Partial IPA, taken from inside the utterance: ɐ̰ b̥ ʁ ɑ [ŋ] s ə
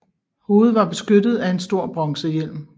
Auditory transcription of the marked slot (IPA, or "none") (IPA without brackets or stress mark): ŋ